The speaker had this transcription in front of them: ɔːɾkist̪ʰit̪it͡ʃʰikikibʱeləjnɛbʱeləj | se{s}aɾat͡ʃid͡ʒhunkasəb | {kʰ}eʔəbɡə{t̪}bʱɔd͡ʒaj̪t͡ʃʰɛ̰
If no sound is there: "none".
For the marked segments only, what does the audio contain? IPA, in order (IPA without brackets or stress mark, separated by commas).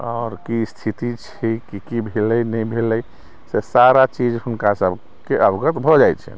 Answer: s, k, t̪